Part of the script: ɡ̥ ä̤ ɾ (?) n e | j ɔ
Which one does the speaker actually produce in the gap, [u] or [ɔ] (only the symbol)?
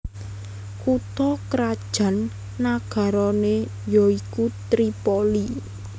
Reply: ɔ